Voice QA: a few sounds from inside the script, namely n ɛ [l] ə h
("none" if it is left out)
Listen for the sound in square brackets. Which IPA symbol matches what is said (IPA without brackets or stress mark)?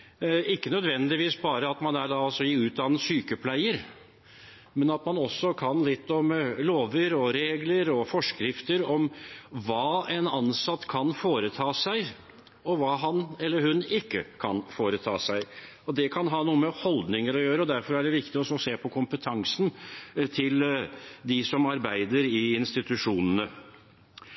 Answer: lː